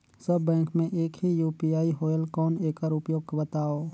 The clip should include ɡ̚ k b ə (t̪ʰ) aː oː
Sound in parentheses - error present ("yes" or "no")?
yes